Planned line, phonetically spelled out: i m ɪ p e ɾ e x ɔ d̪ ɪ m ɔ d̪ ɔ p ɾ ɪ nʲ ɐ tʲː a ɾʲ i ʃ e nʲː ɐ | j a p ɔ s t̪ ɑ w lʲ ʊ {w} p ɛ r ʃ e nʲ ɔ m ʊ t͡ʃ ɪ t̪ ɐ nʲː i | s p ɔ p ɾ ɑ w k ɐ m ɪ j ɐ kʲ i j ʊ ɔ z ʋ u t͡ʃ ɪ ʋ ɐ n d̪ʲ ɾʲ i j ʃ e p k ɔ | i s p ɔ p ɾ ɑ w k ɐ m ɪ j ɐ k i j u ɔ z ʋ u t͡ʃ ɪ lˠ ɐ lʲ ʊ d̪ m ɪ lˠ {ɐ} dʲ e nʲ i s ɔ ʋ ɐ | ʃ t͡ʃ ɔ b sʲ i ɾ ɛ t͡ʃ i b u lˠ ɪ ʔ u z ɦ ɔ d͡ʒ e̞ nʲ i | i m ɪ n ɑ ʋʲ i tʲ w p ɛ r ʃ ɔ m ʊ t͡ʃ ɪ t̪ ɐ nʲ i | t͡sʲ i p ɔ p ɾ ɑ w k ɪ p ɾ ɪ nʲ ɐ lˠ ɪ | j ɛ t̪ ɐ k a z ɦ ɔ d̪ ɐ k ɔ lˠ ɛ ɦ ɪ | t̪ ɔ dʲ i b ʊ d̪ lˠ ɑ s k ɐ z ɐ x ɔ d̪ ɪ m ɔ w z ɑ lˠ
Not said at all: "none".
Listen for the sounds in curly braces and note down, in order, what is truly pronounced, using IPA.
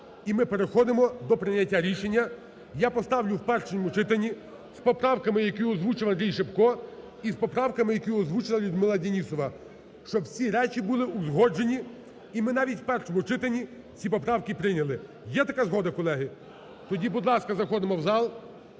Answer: w, ɐ

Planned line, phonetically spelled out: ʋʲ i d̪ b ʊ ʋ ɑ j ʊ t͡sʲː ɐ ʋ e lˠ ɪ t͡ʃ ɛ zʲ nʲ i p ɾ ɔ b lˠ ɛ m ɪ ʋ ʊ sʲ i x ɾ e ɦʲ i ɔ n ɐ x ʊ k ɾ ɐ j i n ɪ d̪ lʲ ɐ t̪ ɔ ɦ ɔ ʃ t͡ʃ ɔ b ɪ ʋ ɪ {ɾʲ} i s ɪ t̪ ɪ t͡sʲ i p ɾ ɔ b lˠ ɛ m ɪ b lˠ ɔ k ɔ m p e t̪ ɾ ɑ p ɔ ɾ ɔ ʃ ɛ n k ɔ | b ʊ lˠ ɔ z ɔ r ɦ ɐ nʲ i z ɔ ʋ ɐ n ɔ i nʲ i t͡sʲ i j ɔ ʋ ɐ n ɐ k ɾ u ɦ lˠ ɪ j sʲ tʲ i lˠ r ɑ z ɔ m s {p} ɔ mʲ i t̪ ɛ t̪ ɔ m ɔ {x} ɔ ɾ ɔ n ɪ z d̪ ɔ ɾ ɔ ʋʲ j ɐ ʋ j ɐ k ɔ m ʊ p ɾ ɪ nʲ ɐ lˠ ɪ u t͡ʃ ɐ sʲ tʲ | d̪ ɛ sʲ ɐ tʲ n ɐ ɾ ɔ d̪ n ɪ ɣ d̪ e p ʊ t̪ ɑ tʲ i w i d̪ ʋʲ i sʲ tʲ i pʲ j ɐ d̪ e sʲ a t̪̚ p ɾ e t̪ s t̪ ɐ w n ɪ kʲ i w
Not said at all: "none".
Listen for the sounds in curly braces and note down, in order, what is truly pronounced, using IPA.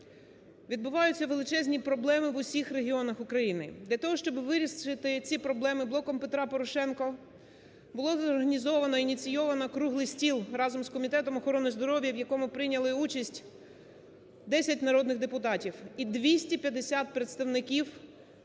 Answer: ɾʲ, k, x

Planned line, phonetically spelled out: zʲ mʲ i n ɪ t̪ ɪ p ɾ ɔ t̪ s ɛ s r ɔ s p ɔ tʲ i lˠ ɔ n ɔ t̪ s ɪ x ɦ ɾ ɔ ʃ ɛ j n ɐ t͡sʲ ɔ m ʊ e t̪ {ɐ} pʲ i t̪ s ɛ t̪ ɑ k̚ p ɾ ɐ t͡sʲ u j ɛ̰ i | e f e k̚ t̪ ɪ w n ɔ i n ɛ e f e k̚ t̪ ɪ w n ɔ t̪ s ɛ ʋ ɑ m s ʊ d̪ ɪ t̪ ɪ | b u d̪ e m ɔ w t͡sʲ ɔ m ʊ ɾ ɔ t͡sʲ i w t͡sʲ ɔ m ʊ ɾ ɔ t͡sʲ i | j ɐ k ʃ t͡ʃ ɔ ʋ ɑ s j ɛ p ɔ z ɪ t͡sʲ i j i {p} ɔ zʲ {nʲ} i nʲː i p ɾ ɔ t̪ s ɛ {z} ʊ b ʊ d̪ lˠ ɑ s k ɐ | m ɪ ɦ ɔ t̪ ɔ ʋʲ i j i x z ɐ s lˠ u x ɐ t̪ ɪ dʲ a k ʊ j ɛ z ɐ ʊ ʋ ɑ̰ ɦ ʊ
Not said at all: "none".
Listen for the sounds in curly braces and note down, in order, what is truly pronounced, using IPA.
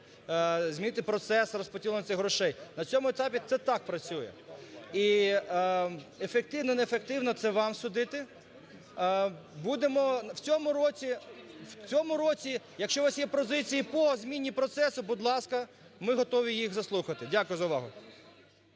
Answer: ɑ, p, mʲ, s

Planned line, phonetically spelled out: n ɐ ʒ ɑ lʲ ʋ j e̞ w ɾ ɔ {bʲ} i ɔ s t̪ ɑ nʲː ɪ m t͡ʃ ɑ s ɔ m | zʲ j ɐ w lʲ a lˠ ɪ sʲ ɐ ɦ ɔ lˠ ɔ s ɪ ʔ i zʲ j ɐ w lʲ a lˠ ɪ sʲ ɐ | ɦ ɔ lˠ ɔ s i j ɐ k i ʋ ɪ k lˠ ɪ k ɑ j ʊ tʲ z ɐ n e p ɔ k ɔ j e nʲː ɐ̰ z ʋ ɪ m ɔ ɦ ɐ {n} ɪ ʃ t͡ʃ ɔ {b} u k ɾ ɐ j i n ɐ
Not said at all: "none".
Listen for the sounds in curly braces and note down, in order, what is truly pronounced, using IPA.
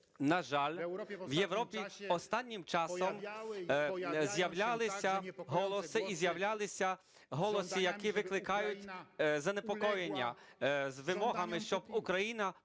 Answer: pʲ, m, b

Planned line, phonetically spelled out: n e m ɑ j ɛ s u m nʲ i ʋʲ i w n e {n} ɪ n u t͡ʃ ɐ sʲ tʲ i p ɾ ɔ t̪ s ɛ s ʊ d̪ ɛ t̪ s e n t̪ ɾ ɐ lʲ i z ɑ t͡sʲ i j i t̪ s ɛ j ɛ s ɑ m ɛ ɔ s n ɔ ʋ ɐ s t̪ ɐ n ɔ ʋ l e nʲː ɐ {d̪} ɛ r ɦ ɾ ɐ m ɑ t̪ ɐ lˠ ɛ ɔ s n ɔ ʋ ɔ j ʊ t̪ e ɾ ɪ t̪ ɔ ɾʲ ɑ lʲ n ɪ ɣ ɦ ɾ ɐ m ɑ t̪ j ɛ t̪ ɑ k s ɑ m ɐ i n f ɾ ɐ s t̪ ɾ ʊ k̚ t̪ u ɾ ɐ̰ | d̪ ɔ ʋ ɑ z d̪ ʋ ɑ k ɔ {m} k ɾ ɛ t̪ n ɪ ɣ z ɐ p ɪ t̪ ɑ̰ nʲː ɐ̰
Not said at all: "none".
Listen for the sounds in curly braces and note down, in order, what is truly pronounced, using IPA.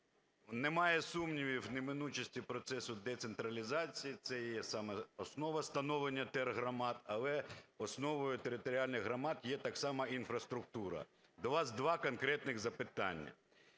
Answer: m, t̪, n

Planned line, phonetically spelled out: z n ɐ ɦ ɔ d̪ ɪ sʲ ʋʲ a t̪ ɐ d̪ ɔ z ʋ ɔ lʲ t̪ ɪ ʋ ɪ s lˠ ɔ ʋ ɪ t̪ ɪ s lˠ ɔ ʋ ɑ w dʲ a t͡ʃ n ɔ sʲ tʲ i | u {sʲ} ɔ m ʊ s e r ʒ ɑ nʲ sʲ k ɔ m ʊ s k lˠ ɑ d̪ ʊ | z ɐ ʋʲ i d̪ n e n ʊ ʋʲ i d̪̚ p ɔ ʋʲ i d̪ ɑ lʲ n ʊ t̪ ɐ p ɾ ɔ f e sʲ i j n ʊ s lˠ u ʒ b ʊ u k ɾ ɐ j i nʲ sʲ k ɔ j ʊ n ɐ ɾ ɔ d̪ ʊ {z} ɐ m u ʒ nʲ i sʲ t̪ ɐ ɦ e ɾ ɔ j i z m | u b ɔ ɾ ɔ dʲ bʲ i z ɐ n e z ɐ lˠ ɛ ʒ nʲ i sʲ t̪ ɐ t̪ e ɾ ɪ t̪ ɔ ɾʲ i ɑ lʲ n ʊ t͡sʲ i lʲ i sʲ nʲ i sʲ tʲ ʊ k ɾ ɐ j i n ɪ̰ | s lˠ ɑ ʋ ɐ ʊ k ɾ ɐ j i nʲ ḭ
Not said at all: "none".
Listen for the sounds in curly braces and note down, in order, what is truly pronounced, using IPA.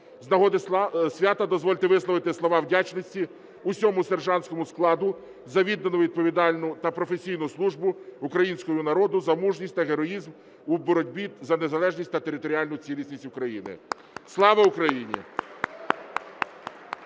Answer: sʲ, z

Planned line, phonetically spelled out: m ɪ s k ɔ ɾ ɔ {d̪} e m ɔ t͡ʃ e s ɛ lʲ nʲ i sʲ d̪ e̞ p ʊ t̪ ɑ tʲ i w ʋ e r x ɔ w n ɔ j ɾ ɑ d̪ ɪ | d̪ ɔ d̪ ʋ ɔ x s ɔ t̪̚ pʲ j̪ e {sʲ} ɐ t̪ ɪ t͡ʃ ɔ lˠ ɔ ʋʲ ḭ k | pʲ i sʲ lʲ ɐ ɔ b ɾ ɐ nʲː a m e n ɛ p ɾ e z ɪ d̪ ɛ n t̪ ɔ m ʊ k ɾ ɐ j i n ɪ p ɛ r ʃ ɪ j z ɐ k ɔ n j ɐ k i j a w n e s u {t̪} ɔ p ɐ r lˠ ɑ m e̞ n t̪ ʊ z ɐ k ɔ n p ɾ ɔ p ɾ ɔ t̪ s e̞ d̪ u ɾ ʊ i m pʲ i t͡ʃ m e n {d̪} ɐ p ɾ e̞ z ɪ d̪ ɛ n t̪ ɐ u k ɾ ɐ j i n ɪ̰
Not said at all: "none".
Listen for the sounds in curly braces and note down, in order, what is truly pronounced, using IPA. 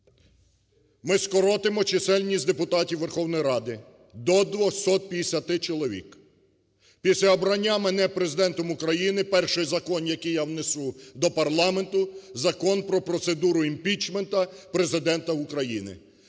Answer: t̪, sʲ, d̪, t̪

